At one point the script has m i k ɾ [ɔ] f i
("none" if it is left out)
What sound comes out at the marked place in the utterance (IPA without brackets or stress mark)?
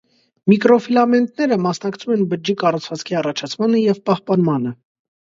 ɔ